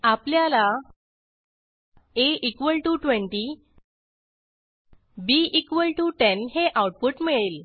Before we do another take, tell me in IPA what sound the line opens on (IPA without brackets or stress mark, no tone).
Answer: a